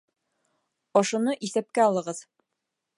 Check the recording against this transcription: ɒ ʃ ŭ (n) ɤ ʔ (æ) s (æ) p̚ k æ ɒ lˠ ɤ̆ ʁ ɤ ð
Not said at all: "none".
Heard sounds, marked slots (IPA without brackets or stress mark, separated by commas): n, i, æ